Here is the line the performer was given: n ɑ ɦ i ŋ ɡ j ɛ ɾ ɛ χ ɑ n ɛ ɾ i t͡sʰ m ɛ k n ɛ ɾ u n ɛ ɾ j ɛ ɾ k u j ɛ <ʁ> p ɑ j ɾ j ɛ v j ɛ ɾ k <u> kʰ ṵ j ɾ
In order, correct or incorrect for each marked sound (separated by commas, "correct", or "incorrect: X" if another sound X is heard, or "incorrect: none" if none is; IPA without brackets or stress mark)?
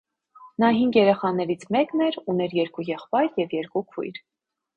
incorrect: χ, correct